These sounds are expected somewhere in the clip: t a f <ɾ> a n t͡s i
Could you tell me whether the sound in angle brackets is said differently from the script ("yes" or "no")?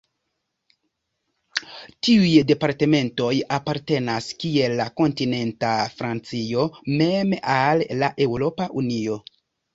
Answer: no